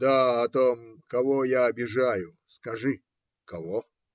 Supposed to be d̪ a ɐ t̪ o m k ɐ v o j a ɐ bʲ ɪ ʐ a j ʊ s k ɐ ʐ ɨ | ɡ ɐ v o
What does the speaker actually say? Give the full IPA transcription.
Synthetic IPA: d̪ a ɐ t̪ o m k ɐ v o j a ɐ bʲ ɪ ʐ a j ʊ s k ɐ ʐ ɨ | k ɐ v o

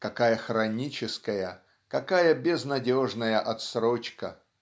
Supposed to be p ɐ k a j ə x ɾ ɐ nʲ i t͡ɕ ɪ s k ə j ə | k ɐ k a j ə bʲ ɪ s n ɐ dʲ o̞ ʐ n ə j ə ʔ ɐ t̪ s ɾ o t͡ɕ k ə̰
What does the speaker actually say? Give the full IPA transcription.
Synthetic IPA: k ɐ k a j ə x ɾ ɐ nʲ i t͡ɕ ɪ s k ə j ə | k ɐ k a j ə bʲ ɪ z n ɐ dʲ o̞ ʐ n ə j ə ʔ ɐ t̪ s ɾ o t͡ɕ k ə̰

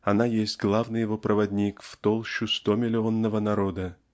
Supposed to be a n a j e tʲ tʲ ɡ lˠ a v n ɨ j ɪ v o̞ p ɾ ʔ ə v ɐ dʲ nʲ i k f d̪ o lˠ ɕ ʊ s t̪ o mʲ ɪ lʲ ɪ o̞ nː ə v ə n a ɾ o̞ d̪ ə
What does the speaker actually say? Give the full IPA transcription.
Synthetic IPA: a n a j e sʲ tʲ ɡ lˠ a v n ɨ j ɪ v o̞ p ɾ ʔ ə v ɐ dʲ nʲ i k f t̪ o lˠ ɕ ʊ s t̪ o mʲ ɪ lʲ ɪ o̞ nː ə v ə n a ɾ o̞ d̪ ə

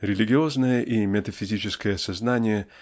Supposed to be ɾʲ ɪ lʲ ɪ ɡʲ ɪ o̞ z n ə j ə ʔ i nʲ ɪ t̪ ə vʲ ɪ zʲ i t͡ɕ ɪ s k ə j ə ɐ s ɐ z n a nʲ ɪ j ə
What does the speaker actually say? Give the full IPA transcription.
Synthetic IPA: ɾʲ ɪ lʲ ɪ ɡʲ ɪ o̞ z n ə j ə ʔ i mʲ ɪ t̪ ə fʲ ɪ zʲ i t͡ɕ ɪ s k ə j ə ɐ s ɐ z n a nʲ ɪ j ə

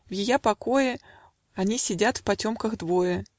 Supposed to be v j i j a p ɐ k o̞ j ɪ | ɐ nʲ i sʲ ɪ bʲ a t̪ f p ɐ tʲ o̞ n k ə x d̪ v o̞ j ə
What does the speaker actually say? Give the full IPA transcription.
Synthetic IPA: v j ɪ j a p ɐ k o̞ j ɪ | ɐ nʲ i sʲ ɪ dʲ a t̪ f p ɐ tʲ o̞ m k ə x d̪ v o̞ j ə

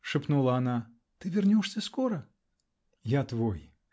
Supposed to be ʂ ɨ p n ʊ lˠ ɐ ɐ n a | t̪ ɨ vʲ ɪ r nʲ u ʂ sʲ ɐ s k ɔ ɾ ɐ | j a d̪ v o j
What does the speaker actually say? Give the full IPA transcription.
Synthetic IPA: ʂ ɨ p n u lˠ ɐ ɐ n a | t̪ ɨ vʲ ɪ r nʲ ɔ ʂ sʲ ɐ s k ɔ ɾ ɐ | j a t̪ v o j

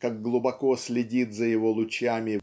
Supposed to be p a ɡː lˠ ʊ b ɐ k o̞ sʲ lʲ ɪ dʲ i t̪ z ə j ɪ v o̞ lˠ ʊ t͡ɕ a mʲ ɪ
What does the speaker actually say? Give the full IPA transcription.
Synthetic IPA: k a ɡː lˠ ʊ b ɐ k o̞ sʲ lʲ ɪ dʲ i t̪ z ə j ɪ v o̞ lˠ ʊ t͡ɕ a mʲ ɪ

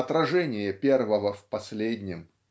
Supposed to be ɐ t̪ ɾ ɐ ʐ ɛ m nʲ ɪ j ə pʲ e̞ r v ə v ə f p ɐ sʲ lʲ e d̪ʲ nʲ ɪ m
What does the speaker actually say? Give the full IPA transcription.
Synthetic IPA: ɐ t̪ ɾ ɐ ʐ ɛ nʲ ɪ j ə pʲ e̞ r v ə v ə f p ɐ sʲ lʲ e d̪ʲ nʲ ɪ m

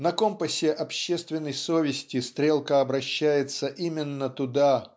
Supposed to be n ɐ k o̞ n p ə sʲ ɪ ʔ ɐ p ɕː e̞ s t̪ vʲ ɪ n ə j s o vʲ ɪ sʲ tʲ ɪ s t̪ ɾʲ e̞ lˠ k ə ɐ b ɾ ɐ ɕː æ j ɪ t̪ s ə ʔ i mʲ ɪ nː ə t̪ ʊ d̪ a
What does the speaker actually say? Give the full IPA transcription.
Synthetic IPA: n ɐ k o̞ m p ə sʲ ɪ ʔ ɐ p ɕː e̞ s t̪ vʲ ɪ nː ə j s o vʲ ɪ sʲ tʲ ɪ s t̪ ɾʲ e̞ lˠ k ə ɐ b ɾ ɐ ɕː æ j ɪ t̪ s ə ʔ i mʲ ɪ nː ə t̪ ʊ d̪ a

